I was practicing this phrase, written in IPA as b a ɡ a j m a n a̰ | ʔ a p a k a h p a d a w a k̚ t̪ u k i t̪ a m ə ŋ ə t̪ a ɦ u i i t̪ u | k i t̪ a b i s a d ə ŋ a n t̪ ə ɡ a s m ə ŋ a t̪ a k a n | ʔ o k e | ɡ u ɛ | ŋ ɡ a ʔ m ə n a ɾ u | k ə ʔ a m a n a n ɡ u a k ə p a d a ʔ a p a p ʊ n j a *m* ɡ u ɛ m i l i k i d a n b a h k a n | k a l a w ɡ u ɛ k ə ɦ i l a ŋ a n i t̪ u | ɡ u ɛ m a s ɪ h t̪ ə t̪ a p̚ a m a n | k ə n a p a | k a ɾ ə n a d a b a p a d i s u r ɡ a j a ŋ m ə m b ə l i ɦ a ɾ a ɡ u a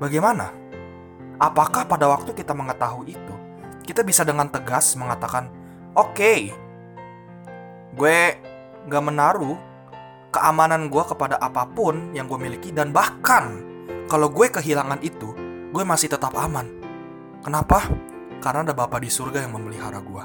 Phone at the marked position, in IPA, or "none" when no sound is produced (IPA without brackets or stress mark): ŋ